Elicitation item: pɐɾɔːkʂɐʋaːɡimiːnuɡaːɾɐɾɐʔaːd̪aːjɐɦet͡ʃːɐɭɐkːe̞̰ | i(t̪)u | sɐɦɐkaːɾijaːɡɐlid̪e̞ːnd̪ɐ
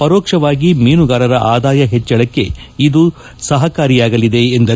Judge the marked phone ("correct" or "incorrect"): incorrect